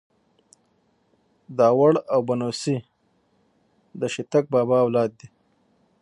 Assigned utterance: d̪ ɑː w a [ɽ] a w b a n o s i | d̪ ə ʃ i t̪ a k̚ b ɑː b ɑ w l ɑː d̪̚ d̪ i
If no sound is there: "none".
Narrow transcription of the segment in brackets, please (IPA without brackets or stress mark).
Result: ɽ